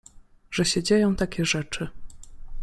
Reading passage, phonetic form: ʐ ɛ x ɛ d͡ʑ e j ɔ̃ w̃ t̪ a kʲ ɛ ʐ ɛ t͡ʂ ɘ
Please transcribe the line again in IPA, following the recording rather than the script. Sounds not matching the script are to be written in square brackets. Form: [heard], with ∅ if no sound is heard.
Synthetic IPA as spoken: ʐ ɛ [ɕ] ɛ d͡ʑ e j ɔ̃ w̃ t̪ a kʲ ɛ ʐ ɛ t͡ʂ ɘ

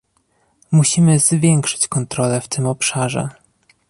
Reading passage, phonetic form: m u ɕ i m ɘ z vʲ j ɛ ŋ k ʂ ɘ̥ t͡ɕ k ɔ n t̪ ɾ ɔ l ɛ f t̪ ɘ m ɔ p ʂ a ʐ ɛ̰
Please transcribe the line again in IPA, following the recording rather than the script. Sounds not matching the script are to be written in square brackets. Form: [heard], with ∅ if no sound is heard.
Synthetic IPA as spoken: m u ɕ i m ɘ z vʲ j ɛ ŋ k ʂ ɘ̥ t͡ɕ k ɔ n t̪ ɾ ɔ l ɛ f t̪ ɘ m ɔ p ʂ a ʐ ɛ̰

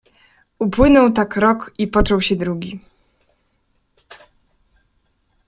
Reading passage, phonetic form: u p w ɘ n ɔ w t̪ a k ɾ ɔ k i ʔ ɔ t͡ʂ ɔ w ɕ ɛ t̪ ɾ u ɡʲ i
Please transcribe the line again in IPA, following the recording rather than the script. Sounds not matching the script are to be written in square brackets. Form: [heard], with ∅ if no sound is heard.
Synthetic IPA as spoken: u p w ɘ n ɔ w t̪ a k ɾ ɔ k i [p] ɔ t͡ʂ ɔ w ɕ ɛ [d̪] ɾ u ɡʲ i

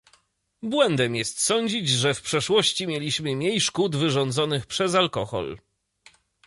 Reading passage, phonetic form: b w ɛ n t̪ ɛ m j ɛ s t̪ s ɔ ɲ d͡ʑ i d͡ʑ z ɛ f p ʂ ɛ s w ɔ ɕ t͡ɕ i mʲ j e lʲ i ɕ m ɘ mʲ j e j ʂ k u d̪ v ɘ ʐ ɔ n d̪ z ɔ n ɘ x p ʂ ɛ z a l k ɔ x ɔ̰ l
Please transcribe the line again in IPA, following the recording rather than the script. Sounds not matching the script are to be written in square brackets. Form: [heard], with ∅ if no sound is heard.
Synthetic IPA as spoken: b w ɛ n [d̪] ɛ m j ɛ s t̪ s ɔ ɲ d͡ʑ i d͡ʑ [ʐ] ɛ f p ʂ ɛ [ʂ] w ɔ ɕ t͡ɕ i mʲ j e lʲ i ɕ m ɘ mʲ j e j ʂ k u d̪ v ɘ ʐ ɔ n d̪ z ɔ n ɘ x p ʂ ɛ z a l k ɔ x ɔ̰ l

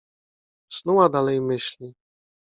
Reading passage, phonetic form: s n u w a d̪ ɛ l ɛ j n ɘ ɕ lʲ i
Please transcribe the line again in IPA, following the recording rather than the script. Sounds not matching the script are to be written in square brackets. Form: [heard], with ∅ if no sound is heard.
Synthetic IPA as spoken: s n u w a d̪ [a] l ɛ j [m] ɘ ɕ lʲ i

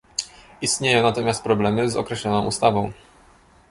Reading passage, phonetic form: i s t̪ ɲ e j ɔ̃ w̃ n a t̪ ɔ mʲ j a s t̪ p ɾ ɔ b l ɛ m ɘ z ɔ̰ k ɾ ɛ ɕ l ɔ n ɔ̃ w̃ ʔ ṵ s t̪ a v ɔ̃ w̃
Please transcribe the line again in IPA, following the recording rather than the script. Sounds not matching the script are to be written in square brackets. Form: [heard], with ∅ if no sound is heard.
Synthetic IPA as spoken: i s t̪ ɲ e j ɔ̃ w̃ n a t̪ ɔ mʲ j a s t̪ p ɾ ɔ b l ɛ m ɘ z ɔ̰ k ɾ ɛ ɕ l ɔ n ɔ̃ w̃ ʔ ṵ s t̪ a v ɔ̃ w̃

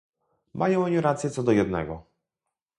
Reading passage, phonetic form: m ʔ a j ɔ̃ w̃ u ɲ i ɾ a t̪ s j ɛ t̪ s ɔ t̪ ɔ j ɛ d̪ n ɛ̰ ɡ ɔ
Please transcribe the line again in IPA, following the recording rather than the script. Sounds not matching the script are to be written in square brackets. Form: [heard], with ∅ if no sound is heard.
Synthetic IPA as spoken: m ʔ a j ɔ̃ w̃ [ɔ] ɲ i ɾ a t̪ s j ɛ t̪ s ɔ [d̪] ɔ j ɛ d̪ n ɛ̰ ɡ ɔ

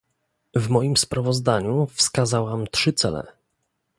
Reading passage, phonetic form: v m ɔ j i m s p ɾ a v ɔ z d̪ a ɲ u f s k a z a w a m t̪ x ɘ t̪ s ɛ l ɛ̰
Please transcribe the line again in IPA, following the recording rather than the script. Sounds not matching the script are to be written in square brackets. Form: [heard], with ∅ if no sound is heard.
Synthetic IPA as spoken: v m ɔ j i m s p ɾ a v ɔ z d̪ a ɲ u f s k a z a w a m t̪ [ʂ] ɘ t̪ s ɛ l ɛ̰

